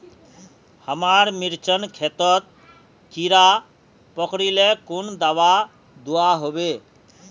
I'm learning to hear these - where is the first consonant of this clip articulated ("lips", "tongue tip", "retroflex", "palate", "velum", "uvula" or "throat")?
throat